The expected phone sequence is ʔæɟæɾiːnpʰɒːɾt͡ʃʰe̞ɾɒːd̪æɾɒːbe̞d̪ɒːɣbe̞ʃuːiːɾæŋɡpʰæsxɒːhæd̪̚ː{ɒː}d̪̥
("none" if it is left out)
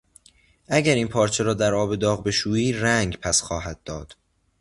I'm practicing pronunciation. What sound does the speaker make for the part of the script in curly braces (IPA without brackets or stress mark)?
ɒː